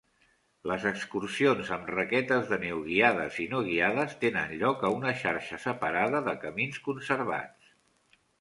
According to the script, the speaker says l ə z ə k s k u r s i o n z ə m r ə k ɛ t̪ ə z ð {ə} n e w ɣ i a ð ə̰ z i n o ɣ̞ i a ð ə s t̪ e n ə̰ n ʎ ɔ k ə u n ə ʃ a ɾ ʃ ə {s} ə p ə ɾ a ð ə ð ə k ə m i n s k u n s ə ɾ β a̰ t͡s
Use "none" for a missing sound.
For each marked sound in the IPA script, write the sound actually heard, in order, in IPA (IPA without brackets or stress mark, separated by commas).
ə, s